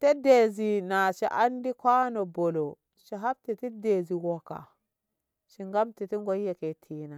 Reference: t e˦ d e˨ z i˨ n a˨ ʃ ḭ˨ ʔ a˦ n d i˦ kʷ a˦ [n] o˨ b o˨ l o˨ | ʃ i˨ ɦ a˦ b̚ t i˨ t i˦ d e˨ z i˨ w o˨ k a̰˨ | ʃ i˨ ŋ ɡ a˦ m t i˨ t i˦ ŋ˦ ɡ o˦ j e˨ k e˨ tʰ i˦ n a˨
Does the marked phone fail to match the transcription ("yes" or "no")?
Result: no